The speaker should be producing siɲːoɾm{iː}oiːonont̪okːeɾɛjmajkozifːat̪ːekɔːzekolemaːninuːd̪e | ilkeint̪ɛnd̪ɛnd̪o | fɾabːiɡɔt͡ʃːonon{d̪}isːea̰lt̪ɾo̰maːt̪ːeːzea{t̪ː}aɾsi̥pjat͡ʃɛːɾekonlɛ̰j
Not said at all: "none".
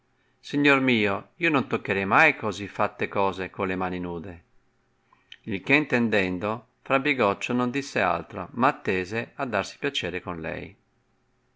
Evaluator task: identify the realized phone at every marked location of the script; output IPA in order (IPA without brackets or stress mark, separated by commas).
iː, d̪, d̪ː